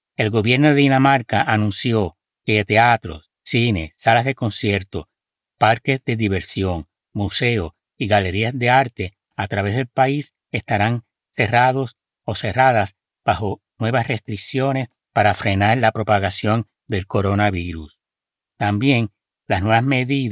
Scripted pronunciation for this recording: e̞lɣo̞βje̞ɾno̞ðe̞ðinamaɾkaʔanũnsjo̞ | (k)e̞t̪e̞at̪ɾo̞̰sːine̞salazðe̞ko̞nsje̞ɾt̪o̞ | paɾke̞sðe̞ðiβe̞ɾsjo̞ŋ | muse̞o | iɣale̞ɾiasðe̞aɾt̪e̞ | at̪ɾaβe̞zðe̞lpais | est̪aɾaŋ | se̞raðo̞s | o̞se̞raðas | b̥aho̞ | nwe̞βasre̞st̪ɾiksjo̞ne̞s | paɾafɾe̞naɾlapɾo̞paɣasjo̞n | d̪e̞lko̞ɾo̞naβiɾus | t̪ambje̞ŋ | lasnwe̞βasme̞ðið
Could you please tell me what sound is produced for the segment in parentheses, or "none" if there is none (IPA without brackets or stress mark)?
k